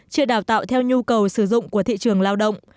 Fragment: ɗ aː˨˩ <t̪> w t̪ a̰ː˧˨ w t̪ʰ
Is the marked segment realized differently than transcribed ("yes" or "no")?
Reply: yes